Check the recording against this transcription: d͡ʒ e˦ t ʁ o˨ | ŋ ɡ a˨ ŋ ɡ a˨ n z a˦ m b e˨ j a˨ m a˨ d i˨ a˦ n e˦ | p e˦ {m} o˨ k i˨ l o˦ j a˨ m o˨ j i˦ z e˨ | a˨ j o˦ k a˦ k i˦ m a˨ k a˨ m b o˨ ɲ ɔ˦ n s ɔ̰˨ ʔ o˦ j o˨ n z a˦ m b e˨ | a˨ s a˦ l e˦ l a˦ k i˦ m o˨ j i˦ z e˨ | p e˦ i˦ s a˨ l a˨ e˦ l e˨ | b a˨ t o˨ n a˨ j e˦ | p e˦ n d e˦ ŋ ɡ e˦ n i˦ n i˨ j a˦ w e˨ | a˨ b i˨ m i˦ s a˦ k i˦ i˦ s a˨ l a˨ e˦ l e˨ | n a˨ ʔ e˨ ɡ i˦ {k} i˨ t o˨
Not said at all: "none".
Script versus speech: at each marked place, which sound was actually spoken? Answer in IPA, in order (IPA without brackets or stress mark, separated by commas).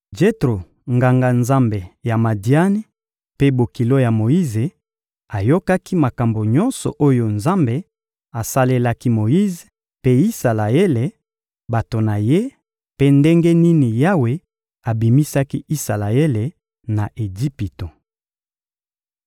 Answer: b, p